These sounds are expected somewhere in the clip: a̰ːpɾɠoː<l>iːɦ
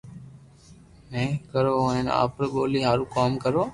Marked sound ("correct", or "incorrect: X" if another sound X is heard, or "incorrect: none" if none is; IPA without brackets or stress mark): correct